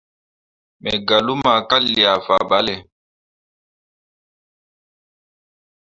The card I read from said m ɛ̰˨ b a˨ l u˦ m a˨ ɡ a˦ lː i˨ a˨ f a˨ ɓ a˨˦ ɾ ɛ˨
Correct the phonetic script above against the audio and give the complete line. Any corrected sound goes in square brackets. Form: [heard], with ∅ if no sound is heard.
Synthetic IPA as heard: m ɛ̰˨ [ɡ] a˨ l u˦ m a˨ [k] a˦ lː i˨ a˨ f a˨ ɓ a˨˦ [l] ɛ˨